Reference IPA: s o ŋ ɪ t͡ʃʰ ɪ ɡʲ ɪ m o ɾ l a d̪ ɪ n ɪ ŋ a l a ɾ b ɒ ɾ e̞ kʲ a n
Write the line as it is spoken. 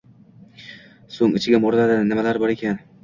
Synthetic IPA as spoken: s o ŋ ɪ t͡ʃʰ ɪ ɡʲ ɪ m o ɾ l a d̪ ɪ n ɪ m a l a ɾ b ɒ ɾ e̞ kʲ a n

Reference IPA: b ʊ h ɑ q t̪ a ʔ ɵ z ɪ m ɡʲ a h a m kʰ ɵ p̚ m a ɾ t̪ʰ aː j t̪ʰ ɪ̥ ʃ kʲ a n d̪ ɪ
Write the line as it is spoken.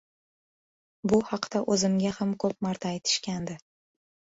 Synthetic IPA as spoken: b ʊ h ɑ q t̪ a ʔ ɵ z ɪ m ɡʲ a h a m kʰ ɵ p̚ m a ɾ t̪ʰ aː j t̪ʰ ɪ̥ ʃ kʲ a n d̪ ɪ

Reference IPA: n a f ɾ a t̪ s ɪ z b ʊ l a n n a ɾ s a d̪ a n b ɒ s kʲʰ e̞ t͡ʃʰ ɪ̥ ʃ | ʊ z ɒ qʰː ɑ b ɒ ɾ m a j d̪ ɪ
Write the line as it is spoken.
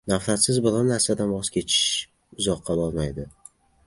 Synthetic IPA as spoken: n a f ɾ a t̪ s ɪ z b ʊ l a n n a ɾ s a d̪ a n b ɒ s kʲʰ e̞ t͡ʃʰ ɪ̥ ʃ | ʊ z ɒ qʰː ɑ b ɒ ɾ m a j d̪ ɪ

